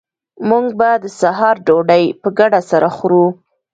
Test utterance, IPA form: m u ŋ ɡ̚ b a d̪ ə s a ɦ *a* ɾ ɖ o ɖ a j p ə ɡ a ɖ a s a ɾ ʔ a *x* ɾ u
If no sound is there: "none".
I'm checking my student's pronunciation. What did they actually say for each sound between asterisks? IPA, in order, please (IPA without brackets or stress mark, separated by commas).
ɑ, x